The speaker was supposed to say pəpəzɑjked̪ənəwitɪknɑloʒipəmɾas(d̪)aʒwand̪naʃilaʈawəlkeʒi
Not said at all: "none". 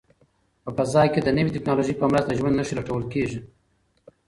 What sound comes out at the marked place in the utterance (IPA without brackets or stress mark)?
t̪